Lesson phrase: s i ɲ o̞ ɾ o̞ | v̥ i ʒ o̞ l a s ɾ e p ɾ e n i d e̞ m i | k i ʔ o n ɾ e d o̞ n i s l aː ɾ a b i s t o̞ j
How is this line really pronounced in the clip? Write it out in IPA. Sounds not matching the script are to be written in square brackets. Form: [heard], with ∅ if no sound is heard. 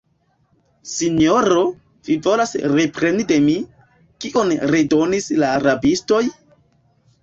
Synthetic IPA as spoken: s i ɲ o̞ ɾ o̞ | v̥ i [v] o̞ l a s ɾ e p ɾ e n i d e̞ m i | k i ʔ o n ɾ e d o̞ n i s l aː ɾ a b i s t o̞ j